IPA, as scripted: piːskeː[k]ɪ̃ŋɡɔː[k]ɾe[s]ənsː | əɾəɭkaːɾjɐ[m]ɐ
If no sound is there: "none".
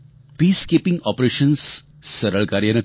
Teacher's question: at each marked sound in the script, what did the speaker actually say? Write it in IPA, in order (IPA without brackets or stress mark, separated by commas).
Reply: p, p, ʃ, n